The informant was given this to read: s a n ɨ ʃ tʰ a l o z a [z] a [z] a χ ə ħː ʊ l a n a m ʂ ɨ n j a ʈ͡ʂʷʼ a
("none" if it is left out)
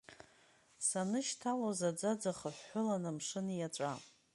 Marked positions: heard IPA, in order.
d͡z, d͡z

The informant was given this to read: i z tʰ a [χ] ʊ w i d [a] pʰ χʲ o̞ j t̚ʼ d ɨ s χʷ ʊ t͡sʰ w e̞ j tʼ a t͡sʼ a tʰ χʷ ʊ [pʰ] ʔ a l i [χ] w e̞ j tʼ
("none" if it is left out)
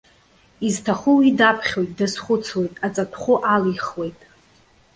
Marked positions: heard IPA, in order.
χ, a, none, χ

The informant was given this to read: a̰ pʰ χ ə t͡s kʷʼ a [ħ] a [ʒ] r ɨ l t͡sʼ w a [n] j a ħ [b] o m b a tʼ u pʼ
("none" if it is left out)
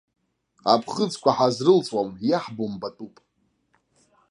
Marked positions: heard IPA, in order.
ħ, z, m, b

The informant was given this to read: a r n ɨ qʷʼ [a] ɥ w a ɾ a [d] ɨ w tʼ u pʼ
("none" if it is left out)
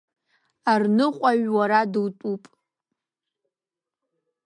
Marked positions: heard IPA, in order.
a, d

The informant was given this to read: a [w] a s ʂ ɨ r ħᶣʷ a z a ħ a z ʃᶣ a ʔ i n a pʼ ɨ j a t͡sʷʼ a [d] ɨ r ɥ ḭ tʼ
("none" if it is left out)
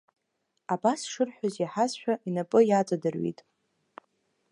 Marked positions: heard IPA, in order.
b, d

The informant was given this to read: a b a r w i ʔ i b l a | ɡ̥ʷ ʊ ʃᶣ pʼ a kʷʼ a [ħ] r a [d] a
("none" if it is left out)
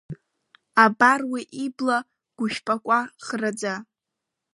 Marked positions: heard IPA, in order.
χ, d͡z

